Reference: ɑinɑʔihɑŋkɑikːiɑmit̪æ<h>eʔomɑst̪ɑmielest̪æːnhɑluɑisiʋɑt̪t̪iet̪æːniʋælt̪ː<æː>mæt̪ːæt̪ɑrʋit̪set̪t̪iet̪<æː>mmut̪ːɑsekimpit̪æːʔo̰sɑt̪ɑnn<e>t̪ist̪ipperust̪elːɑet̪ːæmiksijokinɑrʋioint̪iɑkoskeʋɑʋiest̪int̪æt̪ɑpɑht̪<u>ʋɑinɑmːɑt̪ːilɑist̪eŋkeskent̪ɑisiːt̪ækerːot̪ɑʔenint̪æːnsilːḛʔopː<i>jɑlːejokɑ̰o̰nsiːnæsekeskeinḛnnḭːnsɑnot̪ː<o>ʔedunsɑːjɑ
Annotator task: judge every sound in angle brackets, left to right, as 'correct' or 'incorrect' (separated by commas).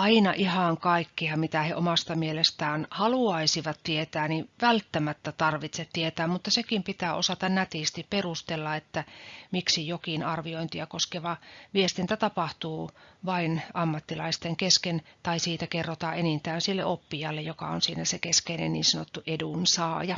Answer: correct, incorrect, correct, incorrect, incorrect, correct, incorrect